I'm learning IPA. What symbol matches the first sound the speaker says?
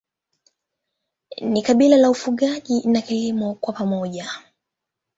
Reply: n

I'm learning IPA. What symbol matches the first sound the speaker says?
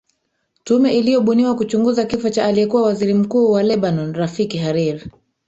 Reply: t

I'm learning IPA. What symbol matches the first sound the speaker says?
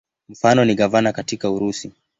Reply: m̩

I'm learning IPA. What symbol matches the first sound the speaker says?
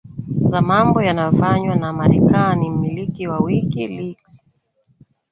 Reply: z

